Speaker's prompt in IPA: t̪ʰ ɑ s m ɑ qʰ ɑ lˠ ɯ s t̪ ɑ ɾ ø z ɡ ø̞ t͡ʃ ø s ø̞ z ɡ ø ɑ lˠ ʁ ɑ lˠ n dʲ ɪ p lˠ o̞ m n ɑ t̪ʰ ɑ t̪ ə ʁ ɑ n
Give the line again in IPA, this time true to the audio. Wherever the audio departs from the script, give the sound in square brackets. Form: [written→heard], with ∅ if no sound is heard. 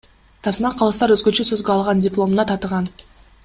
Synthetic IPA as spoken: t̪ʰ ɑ s m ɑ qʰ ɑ lˠ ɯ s t̪ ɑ ɾ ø z ɡ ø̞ t͡ʃ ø s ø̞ z ɡ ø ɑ lˠ ʁ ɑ [lˠ→∅] n dʲ ɪ p lˠ o̞ m n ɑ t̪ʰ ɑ t̪ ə ʁ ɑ n